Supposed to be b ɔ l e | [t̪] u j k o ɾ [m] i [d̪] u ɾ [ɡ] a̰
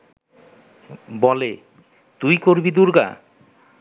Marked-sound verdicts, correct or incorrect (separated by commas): correct, incorrect, correct, correct